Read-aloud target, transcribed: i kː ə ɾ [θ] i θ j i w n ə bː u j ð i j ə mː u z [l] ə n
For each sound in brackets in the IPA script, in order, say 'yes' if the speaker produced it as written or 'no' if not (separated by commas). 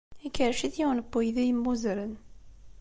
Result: no, no